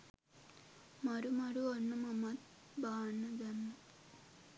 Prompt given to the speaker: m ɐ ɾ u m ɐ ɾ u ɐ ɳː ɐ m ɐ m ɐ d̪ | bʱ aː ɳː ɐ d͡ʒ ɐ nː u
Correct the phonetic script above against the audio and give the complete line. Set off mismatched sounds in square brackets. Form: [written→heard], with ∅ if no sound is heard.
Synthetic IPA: m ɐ ɾ u m ɐ ɾ u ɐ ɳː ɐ m ɐ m ɐ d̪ | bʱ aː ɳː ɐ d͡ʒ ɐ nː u